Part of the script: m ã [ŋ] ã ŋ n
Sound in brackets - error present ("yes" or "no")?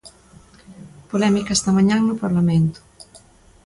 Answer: yes